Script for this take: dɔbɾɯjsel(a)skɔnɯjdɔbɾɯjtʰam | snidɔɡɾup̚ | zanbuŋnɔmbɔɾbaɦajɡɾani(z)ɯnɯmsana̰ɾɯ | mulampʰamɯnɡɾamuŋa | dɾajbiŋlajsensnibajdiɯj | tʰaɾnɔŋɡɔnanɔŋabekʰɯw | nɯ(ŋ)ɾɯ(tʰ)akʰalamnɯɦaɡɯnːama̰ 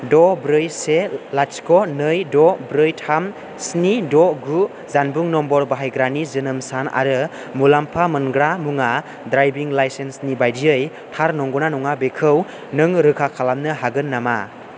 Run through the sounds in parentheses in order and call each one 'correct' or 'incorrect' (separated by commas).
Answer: correct, correct, correct, incorrect